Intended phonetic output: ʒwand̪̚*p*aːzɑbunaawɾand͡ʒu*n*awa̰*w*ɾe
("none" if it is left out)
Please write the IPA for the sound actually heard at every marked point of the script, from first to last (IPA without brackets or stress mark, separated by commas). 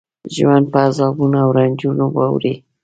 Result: p, n, w